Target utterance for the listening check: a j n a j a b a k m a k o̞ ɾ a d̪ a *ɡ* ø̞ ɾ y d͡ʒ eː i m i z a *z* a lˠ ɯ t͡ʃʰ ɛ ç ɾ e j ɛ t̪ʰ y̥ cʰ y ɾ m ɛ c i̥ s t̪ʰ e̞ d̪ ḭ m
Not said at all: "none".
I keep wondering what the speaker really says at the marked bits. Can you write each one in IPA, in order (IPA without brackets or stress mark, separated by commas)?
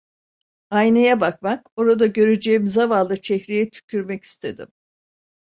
ɟ, v